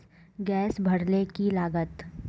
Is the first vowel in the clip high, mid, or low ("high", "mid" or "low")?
mid